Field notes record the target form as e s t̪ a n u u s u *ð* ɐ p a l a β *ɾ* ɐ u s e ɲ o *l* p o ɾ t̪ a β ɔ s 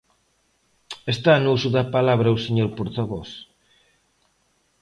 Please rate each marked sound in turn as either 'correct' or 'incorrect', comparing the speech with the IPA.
correct, correct, incorrect: ɾ

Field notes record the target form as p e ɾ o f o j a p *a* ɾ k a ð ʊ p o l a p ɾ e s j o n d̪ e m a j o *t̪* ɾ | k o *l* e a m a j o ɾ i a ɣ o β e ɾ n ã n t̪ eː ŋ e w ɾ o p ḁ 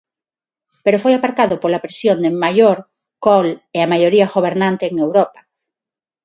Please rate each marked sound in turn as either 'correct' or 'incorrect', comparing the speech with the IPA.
correct, incorrect: none, correct

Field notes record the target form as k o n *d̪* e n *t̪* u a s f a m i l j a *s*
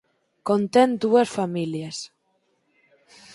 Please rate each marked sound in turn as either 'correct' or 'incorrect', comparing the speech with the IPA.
incorrect: t̪, incorrect: d̪, correct

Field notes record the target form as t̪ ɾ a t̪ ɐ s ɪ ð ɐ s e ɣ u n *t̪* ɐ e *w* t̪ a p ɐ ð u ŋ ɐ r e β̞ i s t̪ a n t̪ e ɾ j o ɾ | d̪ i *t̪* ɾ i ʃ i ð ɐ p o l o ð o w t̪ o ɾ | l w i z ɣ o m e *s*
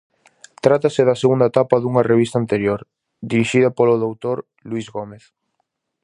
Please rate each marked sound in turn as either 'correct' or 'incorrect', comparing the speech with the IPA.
incorrect: d̪, incorrect: none, incorrect: none, incorrect: θ

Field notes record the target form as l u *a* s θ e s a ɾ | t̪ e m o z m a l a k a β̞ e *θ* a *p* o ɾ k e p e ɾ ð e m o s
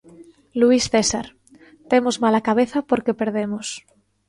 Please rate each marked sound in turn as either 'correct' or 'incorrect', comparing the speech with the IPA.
incorrect: i, correct, correct

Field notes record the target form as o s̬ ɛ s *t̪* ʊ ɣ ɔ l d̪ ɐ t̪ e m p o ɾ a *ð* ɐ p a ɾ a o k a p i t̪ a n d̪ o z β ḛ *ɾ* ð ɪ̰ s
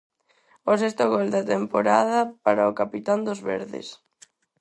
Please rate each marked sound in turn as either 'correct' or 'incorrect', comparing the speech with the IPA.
correct, correct, correct

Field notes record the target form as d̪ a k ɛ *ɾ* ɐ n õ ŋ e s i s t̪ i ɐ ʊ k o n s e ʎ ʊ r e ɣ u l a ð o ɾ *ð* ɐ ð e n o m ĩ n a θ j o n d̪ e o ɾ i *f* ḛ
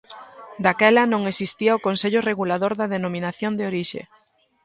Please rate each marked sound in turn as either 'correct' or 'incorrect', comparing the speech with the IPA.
incorrect: l, correct, incorrect: ʃ

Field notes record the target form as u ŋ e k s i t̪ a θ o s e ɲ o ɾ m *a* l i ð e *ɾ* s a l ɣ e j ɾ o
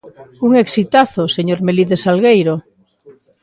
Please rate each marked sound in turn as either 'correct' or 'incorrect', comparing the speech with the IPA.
incorrect: e, incorrect: none

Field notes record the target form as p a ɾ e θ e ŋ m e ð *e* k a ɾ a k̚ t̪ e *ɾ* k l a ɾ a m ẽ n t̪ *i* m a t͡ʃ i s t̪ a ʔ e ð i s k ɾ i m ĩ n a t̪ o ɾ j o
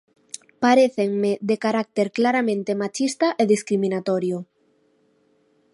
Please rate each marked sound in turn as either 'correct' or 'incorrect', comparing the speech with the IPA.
correct, correct, incorrect: e

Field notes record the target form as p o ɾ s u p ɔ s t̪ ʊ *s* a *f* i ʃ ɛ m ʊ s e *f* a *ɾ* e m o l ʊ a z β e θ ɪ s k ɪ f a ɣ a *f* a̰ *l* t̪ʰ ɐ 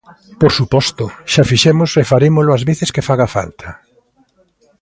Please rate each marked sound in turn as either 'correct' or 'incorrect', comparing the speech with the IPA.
incorrect: ʃ, correct, correct, correct, correct, correct

